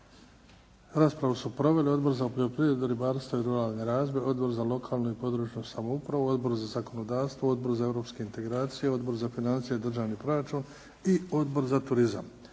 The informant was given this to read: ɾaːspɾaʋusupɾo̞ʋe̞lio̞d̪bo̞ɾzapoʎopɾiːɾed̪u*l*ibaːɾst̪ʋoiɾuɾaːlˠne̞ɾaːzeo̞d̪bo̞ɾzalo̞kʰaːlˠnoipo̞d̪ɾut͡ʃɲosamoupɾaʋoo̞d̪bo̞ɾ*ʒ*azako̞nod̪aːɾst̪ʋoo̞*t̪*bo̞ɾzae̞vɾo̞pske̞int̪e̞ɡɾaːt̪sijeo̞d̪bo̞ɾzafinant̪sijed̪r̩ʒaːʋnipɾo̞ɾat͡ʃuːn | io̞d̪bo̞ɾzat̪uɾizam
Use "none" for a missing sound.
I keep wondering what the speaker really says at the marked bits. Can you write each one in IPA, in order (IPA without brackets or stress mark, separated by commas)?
ɾ, z, d̪